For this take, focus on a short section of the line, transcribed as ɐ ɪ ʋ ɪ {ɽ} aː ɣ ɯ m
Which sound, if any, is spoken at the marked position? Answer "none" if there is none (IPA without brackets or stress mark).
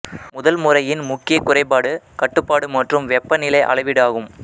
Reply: ɽ